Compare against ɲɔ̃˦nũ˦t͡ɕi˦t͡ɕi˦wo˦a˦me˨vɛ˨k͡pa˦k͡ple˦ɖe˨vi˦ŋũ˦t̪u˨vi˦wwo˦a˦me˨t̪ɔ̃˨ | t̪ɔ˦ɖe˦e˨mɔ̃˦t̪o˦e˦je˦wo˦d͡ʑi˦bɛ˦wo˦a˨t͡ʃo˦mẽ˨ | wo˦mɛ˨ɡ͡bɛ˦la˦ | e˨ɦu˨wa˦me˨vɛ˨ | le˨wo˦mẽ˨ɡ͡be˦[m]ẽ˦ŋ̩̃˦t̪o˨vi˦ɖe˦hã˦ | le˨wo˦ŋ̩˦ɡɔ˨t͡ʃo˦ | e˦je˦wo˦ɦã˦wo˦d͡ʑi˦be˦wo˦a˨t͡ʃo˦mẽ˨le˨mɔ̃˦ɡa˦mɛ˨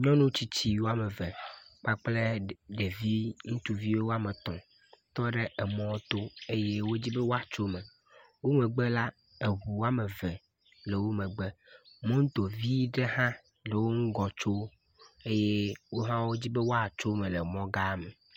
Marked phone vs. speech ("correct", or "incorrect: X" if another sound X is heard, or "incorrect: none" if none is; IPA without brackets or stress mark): correct